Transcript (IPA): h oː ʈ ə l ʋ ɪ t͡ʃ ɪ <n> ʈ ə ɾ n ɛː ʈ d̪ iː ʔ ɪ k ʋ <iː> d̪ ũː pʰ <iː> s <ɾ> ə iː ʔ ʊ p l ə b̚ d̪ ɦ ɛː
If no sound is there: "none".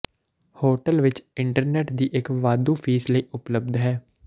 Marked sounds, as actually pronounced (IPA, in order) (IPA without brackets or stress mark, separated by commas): ɳ, aː, iː, l